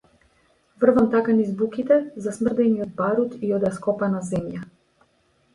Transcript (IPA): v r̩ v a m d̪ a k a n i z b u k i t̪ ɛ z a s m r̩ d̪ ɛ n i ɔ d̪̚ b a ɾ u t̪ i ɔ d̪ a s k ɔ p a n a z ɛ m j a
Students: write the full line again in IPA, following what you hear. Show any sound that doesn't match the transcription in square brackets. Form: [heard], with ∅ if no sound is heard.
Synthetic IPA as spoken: v r̩ v a m [t̪] a k a n i z b u k i t̪ ɛ z a s m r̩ d̪ ɛ n i ɔ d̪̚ b a ɾ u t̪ i ɔ d̪ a s k ɔ p a n a z ɛ m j a